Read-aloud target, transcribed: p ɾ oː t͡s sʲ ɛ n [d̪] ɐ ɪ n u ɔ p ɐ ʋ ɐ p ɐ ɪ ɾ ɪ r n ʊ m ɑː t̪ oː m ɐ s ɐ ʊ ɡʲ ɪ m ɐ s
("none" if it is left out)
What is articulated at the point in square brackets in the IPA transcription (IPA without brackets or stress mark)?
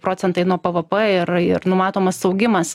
t̪